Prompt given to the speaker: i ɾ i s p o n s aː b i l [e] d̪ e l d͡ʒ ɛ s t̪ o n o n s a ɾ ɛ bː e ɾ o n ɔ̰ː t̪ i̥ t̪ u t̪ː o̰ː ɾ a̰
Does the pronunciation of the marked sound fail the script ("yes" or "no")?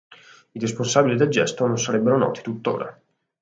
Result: yes